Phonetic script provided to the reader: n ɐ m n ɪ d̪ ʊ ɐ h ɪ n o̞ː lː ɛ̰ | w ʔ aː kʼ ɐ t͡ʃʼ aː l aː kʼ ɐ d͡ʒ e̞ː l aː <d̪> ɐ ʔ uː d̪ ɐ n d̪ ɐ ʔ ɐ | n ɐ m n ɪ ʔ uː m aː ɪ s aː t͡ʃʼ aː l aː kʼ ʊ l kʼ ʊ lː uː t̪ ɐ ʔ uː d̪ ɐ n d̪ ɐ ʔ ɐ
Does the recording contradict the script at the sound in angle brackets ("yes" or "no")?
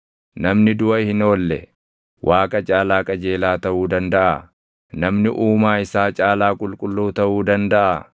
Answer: yes